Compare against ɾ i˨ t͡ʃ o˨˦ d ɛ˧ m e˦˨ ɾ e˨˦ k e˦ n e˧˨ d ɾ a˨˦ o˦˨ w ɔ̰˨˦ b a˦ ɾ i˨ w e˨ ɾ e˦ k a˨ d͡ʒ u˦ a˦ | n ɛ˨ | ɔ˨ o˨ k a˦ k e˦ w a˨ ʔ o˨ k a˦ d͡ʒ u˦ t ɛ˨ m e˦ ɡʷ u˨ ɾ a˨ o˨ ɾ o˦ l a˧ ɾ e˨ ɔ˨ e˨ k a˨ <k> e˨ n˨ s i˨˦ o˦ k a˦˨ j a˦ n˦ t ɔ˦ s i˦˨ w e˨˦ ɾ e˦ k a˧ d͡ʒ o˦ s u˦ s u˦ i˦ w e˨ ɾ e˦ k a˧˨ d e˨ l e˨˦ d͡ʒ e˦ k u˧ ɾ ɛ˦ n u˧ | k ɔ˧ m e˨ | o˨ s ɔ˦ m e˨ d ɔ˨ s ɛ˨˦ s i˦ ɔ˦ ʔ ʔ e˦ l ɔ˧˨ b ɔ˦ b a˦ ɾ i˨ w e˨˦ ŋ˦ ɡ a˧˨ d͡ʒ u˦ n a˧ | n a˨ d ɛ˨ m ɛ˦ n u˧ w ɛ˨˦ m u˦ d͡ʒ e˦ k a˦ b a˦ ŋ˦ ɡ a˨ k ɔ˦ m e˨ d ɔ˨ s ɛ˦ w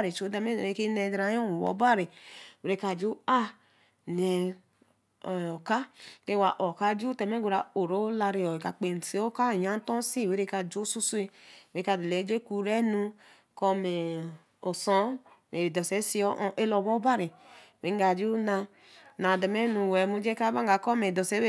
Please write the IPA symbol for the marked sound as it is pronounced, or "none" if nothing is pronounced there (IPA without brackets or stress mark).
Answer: k͡p